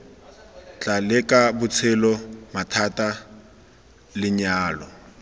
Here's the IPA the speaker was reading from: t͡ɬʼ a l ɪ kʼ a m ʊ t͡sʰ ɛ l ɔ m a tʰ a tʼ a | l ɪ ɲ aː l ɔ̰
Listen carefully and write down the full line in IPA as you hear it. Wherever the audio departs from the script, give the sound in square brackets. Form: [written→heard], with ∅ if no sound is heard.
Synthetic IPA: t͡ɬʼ a l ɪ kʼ a [m→b] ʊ t͡sʰ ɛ l ɔ m a tʰ a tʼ a | l ɪ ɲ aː l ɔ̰